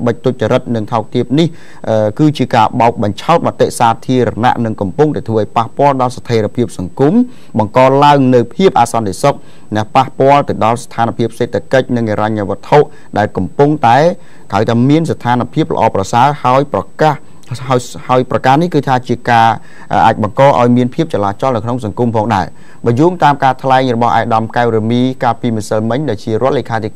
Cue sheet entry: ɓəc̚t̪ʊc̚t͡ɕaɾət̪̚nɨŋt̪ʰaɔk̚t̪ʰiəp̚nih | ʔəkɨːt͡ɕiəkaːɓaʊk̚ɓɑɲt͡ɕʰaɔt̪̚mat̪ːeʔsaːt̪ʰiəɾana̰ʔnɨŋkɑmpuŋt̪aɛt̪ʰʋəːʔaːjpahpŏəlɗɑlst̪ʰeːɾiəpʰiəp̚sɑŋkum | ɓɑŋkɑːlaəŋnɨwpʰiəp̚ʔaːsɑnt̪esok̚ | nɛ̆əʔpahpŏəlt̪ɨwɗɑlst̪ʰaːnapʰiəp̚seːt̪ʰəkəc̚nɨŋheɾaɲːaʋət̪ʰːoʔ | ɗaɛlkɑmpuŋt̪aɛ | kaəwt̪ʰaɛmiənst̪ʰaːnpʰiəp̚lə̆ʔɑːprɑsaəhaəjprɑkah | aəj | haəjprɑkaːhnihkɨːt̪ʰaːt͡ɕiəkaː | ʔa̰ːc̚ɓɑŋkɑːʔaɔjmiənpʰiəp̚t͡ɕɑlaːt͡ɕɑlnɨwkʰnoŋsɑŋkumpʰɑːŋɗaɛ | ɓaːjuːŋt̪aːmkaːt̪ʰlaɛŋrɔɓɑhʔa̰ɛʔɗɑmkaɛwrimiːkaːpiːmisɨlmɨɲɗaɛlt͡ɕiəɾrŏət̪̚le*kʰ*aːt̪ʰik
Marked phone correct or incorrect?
correct